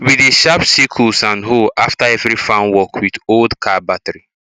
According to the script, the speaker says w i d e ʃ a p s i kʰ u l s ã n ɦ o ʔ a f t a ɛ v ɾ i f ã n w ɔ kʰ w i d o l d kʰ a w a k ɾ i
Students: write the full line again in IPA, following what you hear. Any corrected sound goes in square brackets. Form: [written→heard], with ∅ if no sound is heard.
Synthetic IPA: w i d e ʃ a p s i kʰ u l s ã n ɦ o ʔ a f t a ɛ v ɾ i f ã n w ɔ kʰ w i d o l d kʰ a [w→b] a [k→t] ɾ i